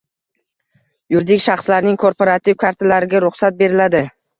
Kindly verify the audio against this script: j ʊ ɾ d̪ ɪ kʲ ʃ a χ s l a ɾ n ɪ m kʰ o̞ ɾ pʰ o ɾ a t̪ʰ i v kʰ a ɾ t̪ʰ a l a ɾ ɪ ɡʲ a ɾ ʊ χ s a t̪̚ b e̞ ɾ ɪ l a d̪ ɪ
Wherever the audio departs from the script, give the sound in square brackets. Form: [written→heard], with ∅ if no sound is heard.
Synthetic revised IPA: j ʊ ɾ d̪ ɪ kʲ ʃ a χ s l a ɾ n ɪ [m→ŋ] kʰ o̞ ɾ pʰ o ɾ a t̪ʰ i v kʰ a ɾ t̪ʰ a l a ɾ ɪ ɡʲ a ɾ ʊ χ s a t̪̚ b e̞ ɾ ɪ l a d̪ ɪ